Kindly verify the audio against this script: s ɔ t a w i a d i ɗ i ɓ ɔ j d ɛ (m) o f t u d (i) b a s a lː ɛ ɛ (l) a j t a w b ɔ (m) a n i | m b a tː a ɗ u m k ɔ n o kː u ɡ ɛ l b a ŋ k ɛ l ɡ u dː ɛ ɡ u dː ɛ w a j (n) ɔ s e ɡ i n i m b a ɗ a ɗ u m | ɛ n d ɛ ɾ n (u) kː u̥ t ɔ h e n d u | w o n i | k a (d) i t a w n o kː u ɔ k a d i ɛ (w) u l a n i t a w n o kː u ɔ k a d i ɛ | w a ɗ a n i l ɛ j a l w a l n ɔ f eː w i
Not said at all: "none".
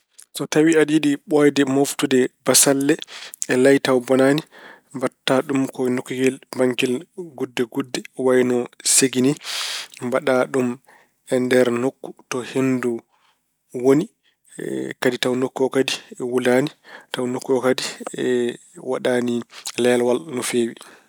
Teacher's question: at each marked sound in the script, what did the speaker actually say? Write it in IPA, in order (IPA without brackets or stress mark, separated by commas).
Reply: m, ɛ, l, n, n, o, d, w